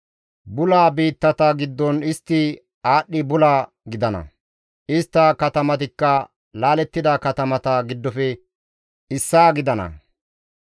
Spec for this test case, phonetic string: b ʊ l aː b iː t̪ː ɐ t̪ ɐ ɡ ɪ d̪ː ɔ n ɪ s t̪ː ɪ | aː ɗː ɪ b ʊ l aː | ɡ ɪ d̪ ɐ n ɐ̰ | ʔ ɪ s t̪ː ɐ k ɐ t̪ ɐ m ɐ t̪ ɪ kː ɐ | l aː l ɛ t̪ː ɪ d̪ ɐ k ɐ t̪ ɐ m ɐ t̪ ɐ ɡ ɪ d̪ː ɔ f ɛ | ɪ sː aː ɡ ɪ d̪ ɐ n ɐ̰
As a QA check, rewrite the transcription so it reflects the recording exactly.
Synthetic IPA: b ʊ l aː b iː t̪ː ɐ t̪ ɐ ɡ ɪ d̪ː ɔ n ɪ s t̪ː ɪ | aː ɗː ɪ b ʊ l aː | ɡ ɪ d̪ ɐ n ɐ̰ | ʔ ɪ s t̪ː ɐ k ɐ t̪ ɐ m ɐ t̪ ɪ kː ɐ | l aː l ɛ t̪ː ɪ d̪ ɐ k ɐ t̪ ɐ m ɐ t̪ ɐ ɡ ɪ d̪ː ɔ f ɛ | ɪ sː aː ɡ ɪ d̪ ɐ n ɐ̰